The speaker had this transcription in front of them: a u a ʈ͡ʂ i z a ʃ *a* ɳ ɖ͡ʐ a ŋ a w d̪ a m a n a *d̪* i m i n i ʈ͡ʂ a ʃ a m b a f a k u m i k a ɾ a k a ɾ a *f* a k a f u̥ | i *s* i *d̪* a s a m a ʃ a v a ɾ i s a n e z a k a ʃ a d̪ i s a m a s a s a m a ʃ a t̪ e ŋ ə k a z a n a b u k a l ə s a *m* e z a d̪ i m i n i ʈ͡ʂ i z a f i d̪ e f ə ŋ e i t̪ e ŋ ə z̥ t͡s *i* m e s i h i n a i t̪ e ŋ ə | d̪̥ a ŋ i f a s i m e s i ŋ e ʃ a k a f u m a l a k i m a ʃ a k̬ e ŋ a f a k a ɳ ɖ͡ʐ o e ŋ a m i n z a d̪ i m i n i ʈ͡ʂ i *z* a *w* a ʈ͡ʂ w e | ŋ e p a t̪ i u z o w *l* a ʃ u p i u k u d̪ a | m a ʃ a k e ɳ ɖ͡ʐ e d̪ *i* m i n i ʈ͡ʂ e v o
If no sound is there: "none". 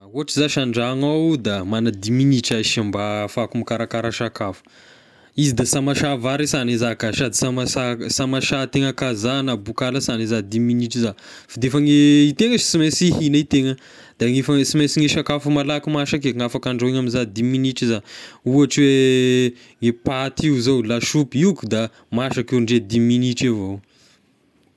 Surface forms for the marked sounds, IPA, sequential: a, d̪, ʃ, z, d̪, n, i, z, u, l, i

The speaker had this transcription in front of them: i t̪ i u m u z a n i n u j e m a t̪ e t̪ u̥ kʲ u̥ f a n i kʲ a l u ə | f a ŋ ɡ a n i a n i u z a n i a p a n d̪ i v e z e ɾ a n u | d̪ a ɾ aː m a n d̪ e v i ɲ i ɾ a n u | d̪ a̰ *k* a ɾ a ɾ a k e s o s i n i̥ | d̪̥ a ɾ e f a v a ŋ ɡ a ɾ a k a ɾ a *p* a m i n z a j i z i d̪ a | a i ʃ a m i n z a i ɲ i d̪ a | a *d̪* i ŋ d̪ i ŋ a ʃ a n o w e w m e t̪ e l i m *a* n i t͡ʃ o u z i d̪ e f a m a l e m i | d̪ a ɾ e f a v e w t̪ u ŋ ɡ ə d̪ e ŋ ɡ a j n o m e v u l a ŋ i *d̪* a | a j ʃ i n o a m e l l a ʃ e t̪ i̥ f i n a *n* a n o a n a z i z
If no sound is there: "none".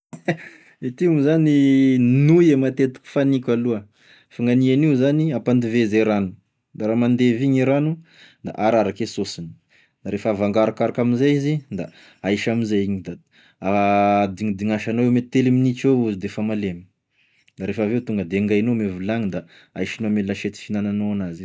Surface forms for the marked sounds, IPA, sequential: ʔ, k, d̪, i, d̪, n

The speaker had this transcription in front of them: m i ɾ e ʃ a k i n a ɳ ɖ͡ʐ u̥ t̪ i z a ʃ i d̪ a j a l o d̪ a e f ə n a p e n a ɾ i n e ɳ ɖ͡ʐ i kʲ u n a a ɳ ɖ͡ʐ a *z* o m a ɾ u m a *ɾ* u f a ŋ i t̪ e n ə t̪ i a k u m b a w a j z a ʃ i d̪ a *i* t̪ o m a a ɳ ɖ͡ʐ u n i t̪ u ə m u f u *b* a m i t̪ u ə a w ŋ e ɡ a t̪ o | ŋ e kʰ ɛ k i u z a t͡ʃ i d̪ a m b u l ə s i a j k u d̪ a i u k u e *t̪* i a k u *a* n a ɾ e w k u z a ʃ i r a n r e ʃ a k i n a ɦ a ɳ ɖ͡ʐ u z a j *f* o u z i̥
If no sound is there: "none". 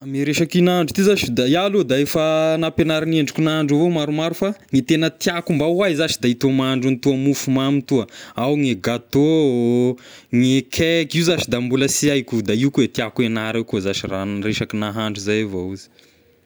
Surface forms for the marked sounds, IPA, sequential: v, ɾ, i, m, t̪, e, v

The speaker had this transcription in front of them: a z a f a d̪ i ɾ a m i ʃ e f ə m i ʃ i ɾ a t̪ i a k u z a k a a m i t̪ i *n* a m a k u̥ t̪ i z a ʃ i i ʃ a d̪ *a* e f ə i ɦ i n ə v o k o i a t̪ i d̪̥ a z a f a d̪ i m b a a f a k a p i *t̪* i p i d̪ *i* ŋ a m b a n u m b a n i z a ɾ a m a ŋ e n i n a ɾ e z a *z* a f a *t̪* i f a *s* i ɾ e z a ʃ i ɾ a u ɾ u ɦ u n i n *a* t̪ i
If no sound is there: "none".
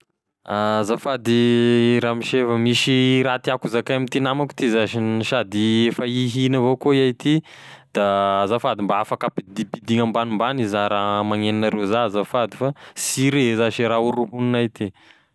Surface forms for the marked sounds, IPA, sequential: n, i, d̪, i, z, d̪, s, a

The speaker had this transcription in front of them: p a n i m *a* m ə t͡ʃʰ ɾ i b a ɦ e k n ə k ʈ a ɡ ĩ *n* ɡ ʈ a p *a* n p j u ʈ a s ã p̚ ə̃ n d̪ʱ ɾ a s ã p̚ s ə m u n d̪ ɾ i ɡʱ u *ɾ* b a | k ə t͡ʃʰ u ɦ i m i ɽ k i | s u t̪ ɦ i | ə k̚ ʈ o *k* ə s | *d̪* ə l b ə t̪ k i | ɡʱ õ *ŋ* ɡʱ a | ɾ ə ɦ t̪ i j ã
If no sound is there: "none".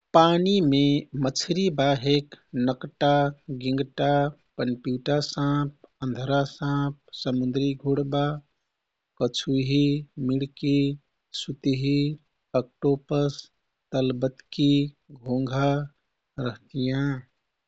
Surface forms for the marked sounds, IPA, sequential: e, ŋ, ə, ɽ, p, t̪, ŋ

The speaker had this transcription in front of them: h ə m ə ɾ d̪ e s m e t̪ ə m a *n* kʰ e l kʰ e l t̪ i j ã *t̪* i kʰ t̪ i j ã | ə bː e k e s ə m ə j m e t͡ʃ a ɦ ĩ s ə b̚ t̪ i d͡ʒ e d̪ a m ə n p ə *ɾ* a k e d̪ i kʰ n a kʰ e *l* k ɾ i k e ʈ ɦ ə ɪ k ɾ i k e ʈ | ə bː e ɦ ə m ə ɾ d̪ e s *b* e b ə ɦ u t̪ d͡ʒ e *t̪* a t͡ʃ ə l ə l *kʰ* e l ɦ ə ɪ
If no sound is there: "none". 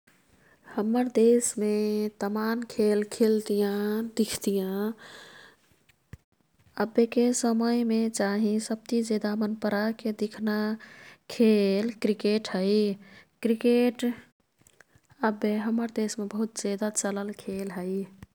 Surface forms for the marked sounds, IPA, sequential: n, d̪, ɾ, l, m, d̪, kʰ

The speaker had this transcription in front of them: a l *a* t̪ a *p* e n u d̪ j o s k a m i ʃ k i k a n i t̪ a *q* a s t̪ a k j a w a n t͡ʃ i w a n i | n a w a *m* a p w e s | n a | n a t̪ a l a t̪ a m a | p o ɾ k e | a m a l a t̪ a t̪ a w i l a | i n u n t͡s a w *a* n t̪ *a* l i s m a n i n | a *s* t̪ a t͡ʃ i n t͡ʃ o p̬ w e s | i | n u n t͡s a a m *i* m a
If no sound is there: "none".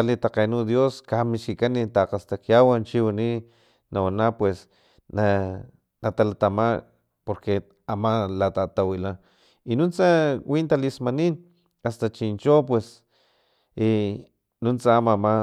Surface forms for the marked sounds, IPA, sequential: i, q, q, n, i, a, s, a

